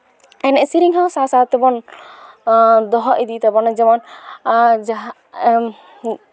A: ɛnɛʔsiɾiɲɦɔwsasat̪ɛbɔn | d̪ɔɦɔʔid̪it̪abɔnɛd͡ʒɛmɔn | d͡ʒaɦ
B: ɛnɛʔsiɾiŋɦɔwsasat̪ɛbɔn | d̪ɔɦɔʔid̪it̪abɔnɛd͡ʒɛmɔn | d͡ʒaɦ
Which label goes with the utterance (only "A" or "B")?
B